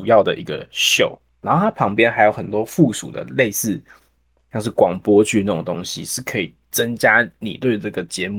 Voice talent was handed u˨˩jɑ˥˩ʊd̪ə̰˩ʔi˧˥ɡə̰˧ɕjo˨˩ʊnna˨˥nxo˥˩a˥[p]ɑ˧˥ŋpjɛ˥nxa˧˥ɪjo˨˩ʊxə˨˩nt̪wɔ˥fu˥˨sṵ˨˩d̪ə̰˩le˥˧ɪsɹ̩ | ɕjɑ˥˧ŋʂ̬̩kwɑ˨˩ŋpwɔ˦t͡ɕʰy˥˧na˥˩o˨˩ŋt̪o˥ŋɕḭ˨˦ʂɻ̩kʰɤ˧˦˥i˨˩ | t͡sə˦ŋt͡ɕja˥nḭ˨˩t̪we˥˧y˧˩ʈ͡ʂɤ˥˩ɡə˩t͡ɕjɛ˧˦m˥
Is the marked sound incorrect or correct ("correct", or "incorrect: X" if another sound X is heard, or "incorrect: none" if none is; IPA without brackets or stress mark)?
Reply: incorrect: pʰ